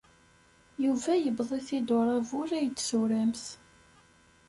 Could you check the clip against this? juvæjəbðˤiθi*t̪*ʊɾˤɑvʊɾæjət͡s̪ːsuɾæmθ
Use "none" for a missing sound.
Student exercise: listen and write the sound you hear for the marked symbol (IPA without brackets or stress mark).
d̪